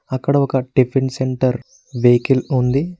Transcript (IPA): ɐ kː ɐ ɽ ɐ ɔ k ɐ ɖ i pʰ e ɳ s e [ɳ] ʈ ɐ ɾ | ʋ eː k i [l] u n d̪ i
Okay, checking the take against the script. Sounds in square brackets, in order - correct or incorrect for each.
correct, correct

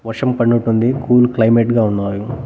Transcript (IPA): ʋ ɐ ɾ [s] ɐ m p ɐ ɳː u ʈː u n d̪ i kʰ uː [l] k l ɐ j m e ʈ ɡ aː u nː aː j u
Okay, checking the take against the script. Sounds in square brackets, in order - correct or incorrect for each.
incorrect, correct

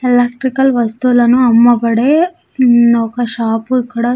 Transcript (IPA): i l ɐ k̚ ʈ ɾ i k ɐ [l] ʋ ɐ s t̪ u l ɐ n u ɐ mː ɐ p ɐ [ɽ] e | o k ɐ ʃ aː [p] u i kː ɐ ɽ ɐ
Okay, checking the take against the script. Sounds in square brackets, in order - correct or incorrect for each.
correct, correct, correct

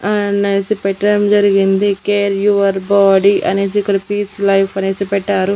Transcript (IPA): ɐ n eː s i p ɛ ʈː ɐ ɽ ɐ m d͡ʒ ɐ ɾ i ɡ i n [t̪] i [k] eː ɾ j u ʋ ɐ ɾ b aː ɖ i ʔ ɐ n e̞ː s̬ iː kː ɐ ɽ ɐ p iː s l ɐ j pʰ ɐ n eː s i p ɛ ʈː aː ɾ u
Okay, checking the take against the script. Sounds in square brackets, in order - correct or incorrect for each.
incorrect, correct

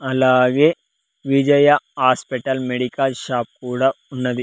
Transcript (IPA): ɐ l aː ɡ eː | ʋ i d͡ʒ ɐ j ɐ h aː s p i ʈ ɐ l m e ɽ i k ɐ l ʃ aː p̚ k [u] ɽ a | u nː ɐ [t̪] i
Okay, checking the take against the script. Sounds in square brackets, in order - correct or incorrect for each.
incorrect, incorrect

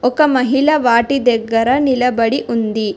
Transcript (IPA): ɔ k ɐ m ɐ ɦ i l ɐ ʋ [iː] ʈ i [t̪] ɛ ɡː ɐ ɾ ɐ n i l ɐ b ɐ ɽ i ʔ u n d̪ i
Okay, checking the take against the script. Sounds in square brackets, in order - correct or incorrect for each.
incorrect, incorrect

